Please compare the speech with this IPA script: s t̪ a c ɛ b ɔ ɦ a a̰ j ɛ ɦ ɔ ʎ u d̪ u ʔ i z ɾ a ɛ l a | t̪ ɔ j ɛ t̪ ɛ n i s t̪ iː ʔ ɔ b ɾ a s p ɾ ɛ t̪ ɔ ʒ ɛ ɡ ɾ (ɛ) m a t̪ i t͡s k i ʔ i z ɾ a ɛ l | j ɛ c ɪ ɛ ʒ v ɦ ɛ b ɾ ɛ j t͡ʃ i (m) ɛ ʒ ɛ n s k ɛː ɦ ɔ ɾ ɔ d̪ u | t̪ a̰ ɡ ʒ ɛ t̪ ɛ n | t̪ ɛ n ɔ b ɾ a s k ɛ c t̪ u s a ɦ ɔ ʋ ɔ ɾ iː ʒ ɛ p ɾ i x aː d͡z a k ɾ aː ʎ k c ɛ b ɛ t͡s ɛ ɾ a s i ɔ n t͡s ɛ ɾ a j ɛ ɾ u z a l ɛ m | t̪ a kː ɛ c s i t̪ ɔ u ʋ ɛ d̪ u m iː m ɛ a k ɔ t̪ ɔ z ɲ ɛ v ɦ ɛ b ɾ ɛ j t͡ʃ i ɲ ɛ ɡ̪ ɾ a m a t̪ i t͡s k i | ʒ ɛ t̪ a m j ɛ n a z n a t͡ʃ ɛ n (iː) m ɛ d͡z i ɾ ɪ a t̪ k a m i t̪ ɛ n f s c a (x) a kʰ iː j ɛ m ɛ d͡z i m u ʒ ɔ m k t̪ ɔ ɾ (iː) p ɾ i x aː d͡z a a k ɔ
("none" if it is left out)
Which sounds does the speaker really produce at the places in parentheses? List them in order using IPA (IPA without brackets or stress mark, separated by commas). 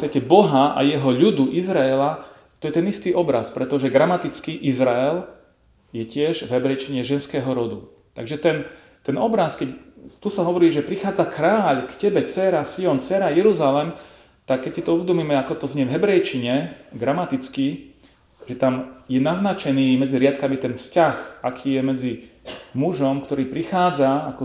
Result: a, ɲ, iː, x, iː